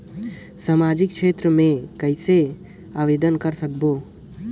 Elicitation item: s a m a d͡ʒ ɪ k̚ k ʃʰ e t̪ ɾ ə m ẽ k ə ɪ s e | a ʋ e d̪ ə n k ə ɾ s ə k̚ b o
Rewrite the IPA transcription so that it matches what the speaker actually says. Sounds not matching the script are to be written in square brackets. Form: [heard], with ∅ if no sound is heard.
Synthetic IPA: s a m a d͡ʒ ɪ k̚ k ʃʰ e t̪ ɾ ə m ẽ k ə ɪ s e | a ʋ e d̪ ə n k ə ɾ s ə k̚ b o